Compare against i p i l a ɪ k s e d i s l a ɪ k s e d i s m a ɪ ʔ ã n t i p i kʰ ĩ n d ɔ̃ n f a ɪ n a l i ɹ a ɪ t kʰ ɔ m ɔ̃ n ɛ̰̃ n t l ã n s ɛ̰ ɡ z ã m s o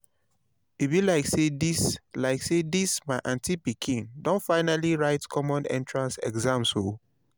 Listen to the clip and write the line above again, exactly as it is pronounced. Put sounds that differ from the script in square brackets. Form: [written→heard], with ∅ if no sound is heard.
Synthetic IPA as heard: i [p→b] i l a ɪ k s e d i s l a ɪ k s e d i s m a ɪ ʔ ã n t i p i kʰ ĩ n d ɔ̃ n f a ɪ n a l i ɹ a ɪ t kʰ ɔ m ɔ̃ n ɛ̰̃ n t [l→ɹ] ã n s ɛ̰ ɡ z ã m s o